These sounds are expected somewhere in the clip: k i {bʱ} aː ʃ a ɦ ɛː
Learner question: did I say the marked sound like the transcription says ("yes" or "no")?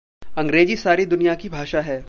yes